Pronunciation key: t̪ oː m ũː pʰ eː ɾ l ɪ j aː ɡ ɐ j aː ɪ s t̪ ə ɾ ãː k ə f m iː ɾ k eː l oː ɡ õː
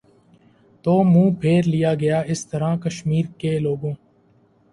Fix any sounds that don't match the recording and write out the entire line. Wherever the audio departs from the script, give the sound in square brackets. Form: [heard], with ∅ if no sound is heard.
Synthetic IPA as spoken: t̪ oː m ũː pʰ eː ɾ l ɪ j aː ɡ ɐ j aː ɪ s t̪ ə ɾ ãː k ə [ʃ] m iː ɾ k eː l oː ɡ õː